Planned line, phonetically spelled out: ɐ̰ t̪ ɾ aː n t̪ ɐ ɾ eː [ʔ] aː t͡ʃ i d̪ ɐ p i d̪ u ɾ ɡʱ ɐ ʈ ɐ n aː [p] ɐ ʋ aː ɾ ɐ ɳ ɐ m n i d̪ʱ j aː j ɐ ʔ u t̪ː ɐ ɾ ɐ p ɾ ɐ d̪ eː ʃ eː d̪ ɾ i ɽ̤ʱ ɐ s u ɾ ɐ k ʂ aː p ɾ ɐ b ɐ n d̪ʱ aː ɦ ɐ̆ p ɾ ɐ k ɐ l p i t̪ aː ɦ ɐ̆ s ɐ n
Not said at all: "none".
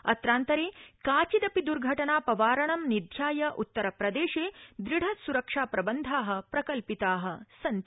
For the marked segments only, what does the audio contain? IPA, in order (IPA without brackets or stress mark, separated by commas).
k, p